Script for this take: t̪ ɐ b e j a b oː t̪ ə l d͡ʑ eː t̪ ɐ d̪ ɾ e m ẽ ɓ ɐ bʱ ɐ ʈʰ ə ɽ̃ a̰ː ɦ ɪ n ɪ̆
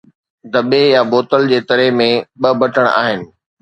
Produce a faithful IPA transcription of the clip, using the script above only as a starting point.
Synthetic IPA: d̪ ɐ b e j a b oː t̪ ə l d͡ʑ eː t̪ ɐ ɾ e m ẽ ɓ ɐ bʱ ɐ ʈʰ ə ɽ̃ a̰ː ɦ ɪ n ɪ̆

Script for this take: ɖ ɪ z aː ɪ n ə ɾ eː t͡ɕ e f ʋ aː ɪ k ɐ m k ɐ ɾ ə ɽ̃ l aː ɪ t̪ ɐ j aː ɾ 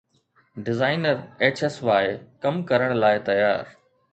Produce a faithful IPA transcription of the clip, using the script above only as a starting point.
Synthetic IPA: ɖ ɪ z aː ɪ n ə ɾ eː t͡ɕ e s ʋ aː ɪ k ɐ m k ɐ ɾ ə ɽ̃ l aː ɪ t̪ ɐ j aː ɾ

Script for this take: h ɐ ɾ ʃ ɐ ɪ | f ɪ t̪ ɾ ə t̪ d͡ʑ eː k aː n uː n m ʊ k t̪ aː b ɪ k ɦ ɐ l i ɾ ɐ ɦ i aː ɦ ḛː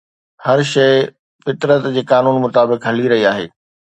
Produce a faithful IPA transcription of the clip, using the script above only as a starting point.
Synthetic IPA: h ɐ ɾ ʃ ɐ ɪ | f ɪ t̪ ɾ ə t̪ d͡ʑ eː k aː n uː n m ʊ t̪ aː b ɪ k ɦ ɐ l i ɾ ɐ ɦ i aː ɦ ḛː

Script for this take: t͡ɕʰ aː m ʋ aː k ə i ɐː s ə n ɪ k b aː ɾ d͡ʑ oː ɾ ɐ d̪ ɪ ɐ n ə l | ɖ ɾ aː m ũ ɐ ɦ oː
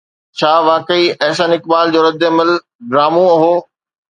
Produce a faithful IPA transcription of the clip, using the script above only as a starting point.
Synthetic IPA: t͡ɕʰ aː ʋ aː k ə i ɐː s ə n ɪ k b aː l d͡ʑ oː ɾ ɐ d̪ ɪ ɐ m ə l | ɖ ɾ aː m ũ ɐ ɦ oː

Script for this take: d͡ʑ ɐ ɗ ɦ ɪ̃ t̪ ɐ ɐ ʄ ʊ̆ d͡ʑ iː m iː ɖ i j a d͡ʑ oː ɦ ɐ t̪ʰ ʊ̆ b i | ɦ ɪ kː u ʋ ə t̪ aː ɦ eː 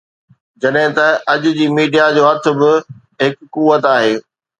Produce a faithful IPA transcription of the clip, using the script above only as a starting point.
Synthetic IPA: d͡ʑ ɐ ɗ ɦ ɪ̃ t̪ ɐ ɐ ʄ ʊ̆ d͡ʑ iː m iː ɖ i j a d͡ʑ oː ɦ ɐ t̪ʰ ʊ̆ b ɪ | ɦ ɪ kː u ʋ ə t̪ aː ɦ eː

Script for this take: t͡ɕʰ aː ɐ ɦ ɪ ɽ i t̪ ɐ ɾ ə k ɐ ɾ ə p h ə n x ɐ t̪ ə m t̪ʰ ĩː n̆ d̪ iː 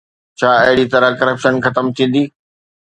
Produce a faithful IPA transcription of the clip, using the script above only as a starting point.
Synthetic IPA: t͡ɕʰ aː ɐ ɦ ɪ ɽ i t̪ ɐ ɾ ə k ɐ ɾ ə p ʃ ə n x ɐ t̪ ə m t̪ʰ ĩː n̆ d̪ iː

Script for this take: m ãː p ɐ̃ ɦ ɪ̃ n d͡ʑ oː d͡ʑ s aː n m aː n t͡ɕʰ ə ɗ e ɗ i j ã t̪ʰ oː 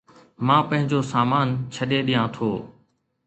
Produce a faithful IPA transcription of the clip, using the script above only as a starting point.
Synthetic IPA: m ãː p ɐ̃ ɦ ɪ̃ ɲ d͡ʑ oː s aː m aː n t͡ɕʰ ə ɗ e ɗ i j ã t̪ʰ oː

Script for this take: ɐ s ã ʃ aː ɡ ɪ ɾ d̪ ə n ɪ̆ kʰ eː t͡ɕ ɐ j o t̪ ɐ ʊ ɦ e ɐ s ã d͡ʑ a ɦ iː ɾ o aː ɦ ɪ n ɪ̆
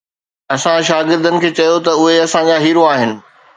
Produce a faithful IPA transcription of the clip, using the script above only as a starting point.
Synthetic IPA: ɐ s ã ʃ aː ɡ ɪ ɾ d̪ ə n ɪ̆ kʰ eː t͡ɕ ɐ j o t̪ ɐ ʊ ɦ e ɐ s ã d͡ʑ a ɦ iː ɾ o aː ɦ ɪ n ɪ̆

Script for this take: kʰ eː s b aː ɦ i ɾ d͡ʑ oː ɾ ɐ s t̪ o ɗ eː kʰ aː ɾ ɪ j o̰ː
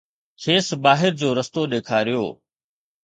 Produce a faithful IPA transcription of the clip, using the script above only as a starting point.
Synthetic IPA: kʰ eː s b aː ɦ ɪ ɾ d͡ʑ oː ɾ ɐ s t̪ o ɗ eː kʰ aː ɾ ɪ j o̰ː

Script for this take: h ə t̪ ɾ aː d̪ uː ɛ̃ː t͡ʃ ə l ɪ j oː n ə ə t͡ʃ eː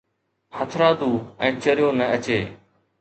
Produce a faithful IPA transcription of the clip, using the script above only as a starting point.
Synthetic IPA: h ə t̪ʰ ɾ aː d̪ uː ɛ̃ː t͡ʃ ə ɾ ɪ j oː n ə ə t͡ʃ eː

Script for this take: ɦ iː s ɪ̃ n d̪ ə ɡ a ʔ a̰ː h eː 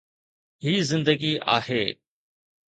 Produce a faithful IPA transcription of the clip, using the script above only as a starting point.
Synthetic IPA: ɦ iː z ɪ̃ n d̪ ə ɡ i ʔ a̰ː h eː

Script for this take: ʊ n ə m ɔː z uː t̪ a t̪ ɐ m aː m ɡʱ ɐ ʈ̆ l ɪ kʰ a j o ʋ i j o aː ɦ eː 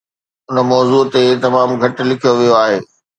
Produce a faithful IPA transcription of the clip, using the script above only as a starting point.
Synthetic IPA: ʊ n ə m ɔː z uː t̪ e t̪ ɐ m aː m ɡʱ ɐ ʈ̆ l ɪ kʰ i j o ʋ i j o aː ɦ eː

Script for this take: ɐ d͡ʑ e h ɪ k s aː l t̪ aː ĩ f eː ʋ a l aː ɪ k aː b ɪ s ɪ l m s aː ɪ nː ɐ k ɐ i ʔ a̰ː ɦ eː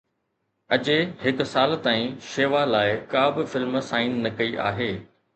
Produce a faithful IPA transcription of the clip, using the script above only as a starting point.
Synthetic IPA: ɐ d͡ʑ e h ɪ k s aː l t̪ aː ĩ ʃ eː ʋ a l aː ɪ k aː b ɪ f ɪ l m s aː ɪ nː ɐ k ɐ i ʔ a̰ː ɦ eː

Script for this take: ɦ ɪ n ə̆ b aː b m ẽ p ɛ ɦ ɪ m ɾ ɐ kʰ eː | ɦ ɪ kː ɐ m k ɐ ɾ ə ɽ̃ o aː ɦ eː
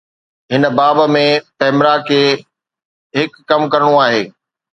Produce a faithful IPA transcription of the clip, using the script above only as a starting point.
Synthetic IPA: ɦ ɪ n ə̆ b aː b m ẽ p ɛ ɦ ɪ m ɾ a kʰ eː | ɦ ɪ kː ɐ m k ɐ ɾ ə ɽ̃ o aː ɦ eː

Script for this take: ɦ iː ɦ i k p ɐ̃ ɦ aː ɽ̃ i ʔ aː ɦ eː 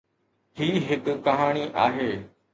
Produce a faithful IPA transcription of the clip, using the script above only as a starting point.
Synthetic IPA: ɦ iː ɦ ɪ k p ɐ ɦ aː ɽ̃ i ʔ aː ɦ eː

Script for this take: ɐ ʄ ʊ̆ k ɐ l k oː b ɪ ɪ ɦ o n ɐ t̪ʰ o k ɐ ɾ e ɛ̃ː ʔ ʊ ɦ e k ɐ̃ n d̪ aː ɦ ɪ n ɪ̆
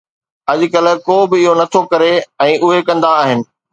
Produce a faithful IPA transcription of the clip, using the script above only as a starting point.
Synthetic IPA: ɐ ʄ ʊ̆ k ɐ l k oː b ɪ ɪ ɦ o n ɐ t̪ʰ o k ɐ ɾ e ɛ̃ː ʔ ʊ ɦ e k ɐ̃ n d̪ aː ɦ ɪ n ɪ̆

